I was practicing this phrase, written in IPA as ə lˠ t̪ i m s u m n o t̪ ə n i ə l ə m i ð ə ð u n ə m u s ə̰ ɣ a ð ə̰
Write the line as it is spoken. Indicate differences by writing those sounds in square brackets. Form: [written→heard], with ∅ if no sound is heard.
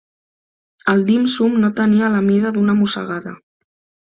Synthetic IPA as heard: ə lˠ [t̪→d̪] i m s u m n o t̪ ə n i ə l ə m i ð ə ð u n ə m u s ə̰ ɣ a ð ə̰